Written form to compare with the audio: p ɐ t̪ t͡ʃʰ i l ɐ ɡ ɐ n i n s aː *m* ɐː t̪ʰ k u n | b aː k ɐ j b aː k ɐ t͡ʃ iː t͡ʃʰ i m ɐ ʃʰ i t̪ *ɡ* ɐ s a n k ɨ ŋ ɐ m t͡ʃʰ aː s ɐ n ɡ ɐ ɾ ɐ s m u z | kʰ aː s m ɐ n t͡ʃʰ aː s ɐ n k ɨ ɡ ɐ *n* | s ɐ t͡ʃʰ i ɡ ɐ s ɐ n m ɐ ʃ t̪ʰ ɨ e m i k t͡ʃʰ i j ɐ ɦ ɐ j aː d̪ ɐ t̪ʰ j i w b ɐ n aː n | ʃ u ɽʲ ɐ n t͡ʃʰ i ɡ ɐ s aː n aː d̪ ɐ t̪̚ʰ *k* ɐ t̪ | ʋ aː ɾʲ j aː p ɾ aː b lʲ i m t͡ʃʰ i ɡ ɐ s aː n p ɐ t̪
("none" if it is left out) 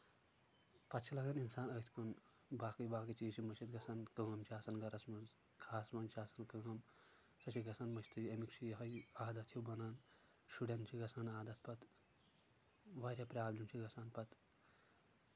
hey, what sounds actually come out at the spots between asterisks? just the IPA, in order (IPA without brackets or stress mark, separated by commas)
n, ɡ, m, p